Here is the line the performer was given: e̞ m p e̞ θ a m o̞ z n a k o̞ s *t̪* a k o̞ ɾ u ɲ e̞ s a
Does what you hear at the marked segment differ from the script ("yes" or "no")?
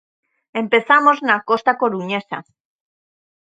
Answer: no